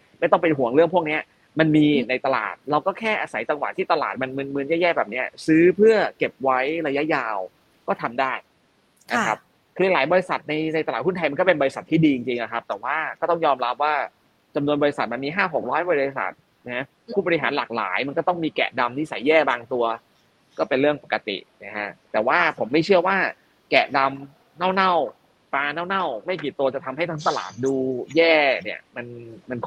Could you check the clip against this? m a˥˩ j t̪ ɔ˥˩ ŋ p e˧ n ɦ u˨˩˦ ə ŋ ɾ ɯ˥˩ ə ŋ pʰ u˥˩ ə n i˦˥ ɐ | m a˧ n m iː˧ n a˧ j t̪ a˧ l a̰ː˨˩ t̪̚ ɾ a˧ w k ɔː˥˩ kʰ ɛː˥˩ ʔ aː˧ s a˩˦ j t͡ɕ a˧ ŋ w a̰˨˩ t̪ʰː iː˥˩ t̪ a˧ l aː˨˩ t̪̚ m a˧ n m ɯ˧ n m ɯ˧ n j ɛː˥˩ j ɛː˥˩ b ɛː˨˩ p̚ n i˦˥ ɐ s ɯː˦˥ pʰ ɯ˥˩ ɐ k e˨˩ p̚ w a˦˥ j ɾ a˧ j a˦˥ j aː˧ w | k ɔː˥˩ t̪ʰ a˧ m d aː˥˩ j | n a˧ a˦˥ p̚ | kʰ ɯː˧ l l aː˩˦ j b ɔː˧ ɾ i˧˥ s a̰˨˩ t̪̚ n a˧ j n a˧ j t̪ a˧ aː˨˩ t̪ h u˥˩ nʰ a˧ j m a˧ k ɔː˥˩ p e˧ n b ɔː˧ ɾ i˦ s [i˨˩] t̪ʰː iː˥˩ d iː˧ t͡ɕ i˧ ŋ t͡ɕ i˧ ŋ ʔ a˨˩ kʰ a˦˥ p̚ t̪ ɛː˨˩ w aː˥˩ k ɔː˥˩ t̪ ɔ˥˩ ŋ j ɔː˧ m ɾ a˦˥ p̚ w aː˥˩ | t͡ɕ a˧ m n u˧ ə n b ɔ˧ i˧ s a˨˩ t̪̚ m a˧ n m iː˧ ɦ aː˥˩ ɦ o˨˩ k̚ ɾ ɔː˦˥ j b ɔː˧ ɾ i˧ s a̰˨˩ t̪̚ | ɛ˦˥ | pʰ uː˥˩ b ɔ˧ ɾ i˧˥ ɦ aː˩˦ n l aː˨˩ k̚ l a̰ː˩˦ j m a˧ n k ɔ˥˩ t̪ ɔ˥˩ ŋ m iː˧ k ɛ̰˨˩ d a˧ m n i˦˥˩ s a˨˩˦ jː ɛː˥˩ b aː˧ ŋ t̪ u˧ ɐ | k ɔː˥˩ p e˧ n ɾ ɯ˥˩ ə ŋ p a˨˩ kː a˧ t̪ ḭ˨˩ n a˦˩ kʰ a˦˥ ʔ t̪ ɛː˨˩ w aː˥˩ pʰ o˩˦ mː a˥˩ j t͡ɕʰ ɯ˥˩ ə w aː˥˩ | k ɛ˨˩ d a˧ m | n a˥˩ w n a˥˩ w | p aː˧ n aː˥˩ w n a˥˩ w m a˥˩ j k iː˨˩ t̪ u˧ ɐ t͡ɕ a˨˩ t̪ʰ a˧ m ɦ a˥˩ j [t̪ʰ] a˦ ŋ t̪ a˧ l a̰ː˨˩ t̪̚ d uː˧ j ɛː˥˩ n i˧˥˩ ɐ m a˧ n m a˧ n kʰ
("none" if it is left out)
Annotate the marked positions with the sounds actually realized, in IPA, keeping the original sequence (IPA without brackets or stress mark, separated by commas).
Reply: a˨˩, t̪ʰ